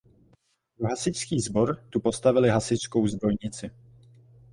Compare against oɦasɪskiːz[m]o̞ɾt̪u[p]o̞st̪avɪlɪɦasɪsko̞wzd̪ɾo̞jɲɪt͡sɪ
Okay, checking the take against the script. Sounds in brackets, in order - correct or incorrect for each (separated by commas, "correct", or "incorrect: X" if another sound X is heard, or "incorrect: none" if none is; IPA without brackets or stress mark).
incorrect: b, correct